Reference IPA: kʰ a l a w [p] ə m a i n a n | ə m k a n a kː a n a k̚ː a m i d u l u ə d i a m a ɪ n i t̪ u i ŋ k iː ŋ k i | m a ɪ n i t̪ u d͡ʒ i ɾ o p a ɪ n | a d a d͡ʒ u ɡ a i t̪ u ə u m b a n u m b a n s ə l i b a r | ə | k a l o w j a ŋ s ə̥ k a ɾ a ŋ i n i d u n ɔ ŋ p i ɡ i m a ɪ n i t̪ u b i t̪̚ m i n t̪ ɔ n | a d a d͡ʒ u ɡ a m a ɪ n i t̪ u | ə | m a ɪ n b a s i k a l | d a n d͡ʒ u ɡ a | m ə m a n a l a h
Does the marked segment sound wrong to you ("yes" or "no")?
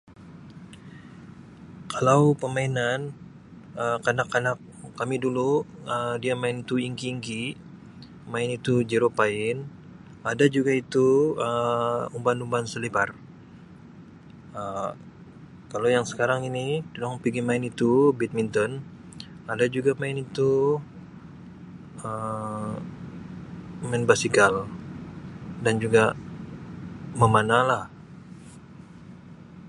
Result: no